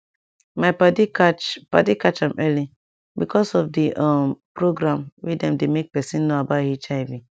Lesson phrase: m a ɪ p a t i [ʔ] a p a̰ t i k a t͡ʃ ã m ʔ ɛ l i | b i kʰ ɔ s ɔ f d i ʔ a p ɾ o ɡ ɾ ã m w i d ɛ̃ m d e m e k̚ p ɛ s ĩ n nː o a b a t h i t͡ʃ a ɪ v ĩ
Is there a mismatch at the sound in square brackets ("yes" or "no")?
yes